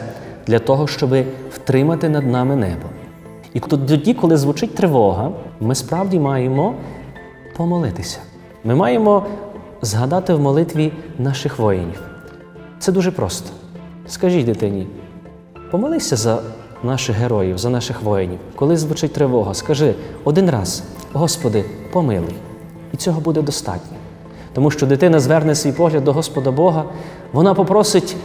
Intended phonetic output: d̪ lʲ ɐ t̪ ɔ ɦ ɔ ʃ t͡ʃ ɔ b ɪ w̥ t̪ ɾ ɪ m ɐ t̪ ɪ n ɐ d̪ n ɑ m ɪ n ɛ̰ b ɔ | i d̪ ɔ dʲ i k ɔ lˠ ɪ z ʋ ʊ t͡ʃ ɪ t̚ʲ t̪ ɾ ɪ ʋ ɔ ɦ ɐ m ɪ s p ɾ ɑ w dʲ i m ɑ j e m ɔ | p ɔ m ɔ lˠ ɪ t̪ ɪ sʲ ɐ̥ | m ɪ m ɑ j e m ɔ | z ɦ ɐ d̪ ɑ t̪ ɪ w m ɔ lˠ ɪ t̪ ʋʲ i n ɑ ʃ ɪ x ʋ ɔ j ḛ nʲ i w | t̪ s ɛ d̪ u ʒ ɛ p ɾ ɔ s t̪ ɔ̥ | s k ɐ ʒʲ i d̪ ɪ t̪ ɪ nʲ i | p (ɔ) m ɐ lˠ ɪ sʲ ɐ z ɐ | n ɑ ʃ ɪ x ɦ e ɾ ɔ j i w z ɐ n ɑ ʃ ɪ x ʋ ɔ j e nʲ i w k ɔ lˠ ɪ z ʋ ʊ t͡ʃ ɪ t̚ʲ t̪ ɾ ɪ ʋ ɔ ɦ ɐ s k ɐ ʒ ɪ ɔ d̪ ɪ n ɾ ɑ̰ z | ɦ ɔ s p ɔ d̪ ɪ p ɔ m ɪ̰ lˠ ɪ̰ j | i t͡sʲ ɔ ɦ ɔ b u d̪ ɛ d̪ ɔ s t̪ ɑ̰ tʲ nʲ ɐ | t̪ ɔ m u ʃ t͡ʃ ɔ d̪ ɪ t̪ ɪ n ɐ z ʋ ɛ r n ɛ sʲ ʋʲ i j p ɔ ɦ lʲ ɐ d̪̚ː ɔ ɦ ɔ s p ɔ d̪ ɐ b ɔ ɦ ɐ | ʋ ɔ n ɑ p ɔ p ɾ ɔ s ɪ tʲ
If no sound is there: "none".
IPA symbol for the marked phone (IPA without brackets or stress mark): ɔ